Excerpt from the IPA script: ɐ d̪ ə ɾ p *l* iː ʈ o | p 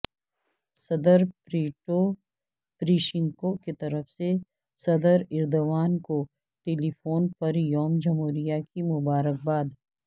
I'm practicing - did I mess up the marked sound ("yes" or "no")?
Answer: yes